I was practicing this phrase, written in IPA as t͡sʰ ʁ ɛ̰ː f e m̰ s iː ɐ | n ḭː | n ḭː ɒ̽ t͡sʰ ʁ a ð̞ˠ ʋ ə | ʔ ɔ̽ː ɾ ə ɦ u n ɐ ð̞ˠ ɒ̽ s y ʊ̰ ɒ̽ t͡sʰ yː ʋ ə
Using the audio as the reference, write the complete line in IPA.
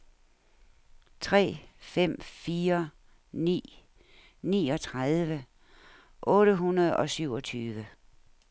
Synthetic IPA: t͡sʰ ʁ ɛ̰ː f e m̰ f iː ɐ | n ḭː | n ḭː ɒ̽ t͡sʰ ʁ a ð̞ˠ ʋ ə | ʔ ɔ̽ː ɾ ə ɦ u n ɐ ð̞ˠ ɒ̽ s y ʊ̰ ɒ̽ t͡sʰ yː ʋ ə

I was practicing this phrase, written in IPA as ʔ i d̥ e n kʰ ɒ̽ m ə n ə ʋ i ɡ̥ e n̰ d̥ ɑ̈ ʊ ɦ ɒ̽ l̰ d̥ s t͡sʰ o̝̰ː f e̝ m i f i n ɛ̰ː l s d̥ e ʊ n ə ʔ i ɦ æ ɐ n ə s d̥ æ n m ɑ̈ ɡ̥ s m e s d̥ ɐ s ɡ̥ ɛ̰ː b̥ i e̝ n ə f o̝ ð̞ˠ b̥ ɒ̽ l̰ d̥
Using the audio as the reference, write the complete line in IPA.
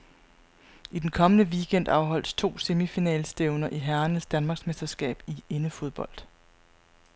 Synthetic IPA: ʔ i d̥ e n kʰ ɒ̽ m ə n ə ʋ i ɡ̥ e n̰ d̥ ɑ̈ ʊ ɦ ɒ̽ l̰ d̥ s t͡sʰ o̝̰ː s e̝ m i f i n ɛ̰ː l s d̥ e ʊ n ɐ ʔ i ɦ æ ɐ n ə s d̥ æ n m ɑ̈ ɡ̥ s m e s d̥ ɐ s ɡ̥ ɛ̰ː b̥ i e̝ n ə f o̝ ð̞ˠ b̥ ɒ̽ l̰ d̥

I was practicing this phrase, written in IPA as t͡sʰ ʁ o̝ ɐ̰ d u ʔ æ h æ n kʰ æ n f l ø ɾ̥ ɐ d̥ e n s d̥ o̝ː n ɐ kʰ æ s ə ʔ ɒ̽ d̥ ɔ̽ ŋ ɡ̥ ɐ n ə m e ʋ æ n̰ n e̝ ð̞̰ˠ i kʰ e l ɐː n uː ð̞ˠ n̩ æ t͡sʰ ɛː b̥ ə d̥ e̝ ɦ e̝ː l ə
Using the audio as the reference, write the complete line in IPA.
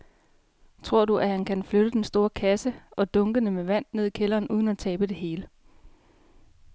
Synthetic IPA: t͡sʰ ʁ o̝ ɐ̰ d u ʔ æ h æ n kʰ æ n f l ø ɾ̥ ə d̥ e n s d̥ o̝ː ɐ kʰ æ s ə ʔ ɒ̽ d̥ ɔ̽ ŋ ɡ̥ ə n ə m e ʋ æ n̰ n e̝ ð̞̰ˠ i kʰ e l ɐː n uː ð̞ˠ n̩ æ t͡sʰ ɛː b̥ ə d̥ e̝ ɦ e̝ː l ə

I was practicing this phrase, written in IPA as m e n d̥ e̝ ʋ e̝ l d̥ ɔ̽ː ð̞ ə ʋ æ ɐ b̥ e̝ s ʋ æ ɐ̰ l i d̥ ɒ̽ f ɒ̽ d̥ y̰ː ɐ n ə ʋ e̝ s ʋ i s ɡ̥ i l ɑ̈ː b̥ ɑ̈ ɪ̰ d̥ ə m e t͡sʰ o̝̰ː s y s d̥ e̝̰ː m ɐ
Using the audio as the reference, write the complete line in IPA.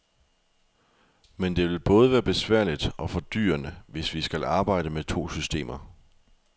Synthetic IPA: m e n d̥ e̝ ʋ e̝ l b̥ ɔ̽ː ð̞ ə ʋ æː ɐ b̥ e̝ s ʋ æ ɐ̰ l i d̥ ɒ̽ f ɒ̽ d̥ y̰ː ɐ n ə ʋ e̝ s ʋ i s ɡ̥ æ l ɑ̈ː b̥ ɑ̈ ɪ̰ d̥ ə m e t͡sʰ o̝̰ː s y s d̥ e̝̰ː m ɐ

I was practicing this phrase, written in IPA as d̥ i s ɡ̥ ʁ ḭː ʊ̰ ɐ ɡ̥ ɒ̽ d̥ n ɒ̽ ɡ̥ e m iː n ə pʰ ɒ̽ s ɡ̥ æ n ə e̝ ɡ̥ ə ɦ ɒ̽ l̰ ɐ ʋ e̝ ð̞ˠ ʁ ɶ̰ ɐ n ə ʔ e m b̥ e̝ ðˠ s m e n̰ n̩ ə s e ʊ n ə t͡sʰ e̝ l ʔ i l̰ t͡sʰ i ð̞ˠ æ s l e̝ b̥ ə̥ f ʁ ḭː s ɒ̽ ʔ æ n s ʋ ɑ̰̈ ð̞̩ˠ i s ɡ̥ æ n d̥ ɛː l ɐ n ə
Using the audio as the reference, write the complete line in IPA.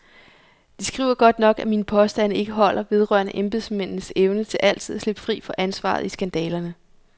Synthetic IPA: d̥ i s ɡ̥ ʁ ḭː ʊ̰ ɐ ɡ̥ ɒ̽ d̥ n ɒ̽ ɡ̥ æ m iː n ə pʰ ɒ̽ s d̥ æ n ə e̝ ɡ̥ ə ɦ ɒ̽ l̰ ɐ ʋ e̝ ð̞ˠ ʁ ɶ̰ ɐ n ə ʔ e m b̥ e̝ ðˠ s m e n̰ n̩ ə s e ʊ n ə t͡sʰ e̝ l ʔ æ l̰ t͡sʰ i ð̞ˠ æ s l e̝ b̥ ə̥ f ʁ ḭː f ɒ̽ ʔ æ n s ʋ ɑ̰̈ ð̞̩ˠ i s ɡ̥ æ n d̥ ɛː l ɐ n ə

